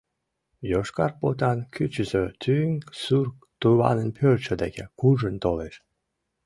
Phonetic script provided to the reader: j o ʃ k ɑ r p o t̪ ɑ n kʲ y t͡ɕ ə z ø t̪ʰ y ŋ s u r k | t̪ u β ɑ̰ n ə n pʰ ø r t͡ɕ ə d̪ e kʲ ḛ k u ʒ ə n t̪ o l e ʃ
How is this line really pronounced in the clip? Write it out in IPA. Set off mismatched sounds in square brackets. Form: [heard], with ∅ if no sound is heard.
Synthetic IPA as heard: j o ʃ k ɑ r p o t̪ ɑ n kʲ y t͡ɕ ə z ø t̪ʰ y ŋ s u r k | t̪ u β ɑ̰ n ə n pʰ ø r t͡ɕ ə d̪ e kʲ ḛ k u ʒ ə n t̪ o l e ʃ